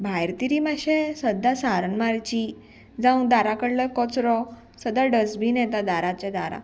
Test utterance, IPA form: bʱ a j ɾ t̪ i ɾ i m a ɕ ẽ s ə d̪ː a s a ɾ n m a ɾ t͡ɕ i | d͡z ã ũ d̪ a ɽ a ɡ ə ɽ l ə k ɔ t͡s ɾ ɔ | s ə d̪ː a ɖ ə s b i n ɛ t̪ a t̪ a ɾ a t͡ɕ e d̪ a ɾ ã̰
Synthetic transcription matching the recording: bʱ a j ɾ t̪ i ɾ i m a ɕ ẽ s ə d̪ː a s a ɾ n m a ɾ t͡ɕ i | d͡z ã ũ d̪ a ɾ a k ə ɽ l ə k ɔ t͡s ɾ ɔ | s ə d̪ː a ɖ ə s b i n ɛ t̪ a d̪ a ɾ a t͡ɕ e d̪ a ɾ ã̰